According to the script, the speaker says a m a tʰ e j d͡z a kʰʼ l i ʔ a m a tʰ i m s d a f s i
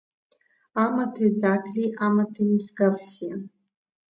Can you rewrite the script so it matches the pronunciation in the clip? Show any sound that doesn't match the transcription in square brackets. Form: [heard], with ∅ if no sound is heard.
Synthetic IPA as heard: a m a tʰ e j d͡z a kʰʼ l i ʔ a m a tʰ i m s [ɡ] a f s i